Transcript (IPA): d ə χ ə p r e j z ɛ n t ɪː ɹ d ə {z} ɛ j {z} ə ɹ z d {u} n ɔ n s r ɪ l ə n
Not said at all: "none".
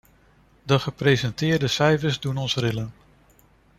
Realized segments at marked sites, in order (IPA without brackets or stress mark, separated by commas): s, v, u